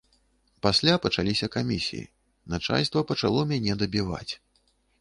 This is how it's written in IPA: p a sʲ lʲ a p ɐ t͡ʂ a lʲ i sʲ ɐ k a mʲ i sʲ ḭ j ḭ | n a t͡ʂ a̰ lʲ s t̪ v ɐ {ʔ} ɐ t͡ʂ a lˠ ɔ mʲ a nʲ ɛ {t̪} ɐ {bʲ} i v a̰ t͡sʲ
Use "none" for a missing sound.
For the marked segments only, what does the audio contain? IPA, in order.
p, d̪, bʲ

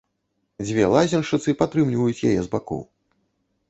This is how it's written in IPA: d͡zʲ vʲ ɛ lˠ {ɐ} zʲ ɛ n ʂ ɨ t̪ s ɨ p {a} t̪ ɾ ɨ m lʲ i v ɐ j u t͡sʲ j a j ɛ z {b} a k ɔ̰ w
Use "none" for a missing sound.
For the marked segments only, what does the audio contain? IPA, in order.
a, a, b

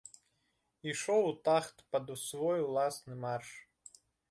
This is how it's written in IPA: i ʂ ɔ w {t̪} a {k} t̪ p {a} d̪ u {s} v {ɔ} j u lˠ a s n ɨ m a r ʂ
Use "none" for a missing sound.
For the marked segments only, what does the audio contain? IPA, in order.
t̪, x, ɐ, s, ɔ

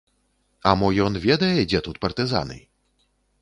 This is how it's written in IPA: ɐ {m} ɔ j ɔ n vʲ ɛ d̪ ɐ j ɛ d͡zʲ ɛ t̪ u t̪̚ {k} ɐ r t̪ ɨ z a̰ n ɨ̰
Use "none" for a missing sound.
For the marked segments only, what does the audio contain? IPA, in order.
m, p

